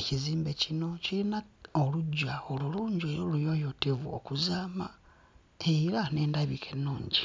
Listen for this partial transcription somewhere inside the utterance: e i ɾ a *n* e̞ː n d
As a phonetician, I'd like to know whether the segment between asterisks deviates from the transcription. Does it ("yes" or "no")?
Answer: no